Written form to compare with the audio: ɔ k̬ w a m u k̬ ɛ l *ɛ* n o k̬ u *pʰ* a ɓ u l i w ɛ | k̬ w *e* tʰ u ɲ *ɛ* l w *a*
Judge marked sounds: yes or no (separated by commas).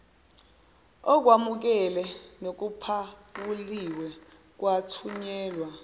yes, yes, no, no, yes